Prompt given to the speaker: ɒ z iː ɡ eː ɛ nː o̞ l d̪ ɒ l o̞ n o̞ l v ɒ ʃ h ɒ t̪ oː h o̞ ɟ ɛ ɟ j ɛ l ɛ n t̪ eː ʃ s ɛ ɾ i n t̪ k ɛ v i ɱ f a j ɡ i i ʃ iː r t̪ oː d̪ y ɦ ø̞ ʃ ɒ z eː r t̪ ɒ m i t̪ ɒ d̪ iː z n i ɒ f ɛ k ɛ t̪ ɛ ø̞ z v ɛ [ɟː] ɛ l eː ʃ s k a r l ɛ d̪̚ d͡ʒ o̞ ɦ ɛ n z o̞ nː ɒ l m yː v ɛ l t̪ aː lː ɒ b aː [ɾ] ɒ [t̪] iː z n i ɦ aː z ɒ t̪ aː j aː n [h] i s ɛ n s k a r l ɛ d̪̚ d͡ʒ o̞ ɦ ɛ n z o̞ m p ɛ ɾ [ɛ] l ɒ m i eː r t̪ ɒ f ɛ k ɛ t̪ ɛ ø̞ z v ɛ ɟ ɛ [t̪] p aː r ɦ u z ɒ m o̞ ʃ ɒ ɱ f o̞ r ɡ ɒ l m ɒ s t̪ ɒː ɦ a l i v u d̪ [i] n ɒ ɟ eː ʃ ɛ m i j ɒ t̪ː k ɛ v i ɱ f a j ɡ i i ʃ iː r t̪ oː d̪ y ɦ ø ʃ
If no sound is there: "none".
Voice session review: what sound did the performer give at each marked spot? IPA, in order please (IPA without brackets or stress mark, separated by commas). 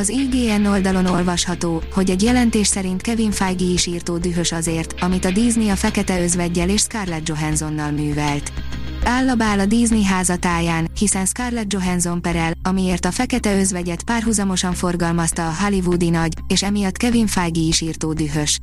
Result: ɟː, l, d̪, h, ɛ, t̪, i